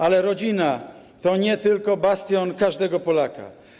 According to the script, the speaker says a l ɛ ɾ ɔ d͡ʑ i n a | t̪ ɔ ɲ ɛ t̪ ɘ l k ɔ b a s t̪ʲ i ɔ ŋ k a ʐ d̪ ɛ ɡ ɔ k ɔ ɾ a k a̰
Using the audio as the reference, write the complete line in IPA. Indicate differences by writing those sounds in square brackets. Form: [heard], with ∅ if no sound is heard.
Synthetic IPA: a l ɛ ɾ ɔ d͡ʑ i n a | t̪ ɔ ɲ ɛ t̪ ɘ l k ɔ b a s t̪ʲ [j] ɔ [n] k a ʐ d̪ ɛ ɡ ɔ [p] ɔ [l] a k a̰